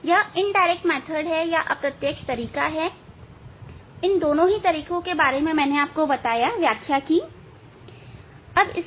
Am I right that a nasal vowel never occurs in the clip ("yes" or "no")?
no